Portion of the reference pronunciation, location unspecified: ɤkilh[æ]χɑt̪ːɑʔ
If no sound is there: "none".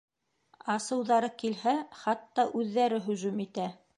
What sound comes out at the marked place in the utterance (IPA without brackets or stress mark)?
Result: æ